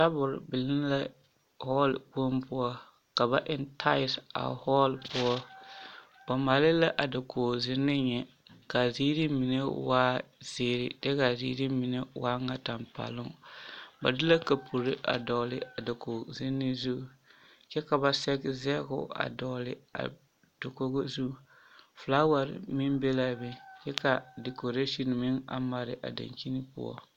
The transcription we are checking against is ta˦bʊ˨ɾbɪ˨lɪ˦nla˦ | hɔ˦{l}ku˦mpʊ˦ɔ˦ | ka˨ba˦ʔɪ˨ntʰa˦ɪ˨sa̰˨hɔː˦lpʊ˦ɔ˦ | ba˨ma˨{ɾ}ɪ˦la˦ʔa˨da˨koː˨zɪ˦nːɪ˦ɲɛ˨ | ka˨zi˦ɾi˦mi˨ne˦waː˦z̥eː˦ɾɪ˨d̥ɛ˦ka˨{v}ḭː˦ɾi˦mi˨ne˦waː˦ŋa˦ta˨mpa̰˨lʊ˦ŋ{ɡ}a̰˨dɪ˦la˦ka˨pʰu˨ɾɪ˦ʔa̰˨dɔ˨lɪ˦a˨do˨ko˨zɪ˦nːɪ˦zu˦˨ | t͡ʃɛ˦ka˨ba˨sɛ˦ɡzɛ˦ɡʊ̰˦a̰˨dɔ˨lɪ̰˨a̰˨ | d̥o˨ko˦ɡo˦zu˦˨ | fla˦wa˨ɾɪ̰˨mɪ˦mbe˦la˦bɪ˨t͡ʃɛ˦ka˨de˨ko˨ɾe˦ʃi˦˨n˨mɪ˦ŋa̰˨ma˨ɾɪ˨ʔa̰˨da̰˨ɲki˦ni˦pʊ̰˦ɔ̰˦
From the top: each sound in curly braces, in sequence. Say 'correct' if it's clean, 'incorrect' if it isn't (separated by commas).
correct, incorrect, incorrect, incorrect